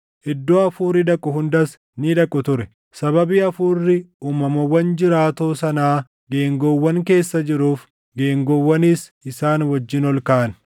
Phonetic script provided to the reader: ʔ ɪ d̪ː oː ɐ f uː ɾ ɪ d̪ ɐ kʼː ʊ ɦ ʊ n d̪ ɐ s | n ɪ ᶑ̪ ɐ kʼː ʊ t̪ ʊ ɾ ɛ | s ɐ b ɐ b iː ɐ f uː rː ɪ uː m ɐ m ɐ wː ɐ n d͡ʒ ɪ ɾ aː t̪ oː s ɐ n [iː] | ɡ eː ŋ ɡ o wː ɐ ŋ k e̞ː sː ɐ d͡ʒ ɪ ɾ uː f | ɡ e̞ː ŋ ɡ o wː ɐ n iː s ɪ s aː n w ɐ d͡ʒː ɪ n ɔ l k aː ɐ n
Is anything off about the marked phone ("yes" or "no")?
yes